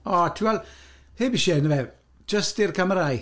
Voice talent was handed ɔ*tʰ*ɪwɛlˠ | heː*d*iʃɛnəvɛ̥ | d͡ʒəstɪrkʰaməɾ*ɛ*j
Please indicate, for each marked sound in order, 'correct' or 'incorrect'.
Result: correct, incorrect: b, incorrect: a

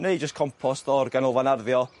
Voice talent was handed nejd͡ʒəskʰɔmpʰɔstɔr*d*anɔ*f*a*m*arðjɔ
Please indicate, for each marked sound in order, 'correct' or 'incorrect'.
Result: incorrect: ɡ, incorrect: v, incorrect: n

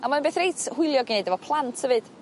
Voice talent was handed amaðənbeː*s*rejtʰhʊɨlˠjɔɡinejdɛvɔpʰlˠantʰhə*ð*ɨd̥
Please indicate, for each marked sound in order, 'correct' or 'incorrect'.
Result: incorrect: θ, incorrect: v

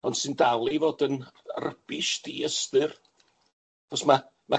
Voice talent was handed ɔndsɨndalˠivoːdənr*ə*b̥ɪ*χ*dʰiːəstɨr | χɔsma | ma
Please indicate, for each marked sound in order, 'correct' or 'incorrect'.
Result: correct, incorrect: ʃ

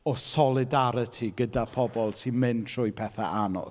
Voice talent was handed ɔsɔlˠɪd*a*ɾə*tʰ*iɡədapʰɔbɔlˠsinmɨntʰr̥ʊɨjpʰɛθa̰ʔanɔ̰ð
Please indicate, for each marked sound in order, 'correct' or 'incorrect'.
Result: correct, correct

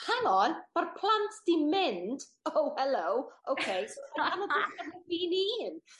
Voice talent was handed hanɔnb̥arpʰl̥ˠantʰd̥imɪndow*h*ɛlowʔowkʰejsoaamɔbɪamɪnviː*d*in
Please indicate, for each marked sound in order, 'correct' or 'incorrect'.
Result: correct, incorrect: n

